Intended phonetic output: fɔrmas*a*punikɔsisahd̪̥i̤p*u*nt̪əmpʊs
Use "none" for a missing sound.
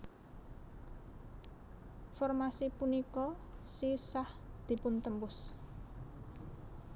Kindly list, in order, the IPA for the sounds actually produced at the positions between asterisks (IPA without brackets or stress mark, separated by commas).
i, ʊ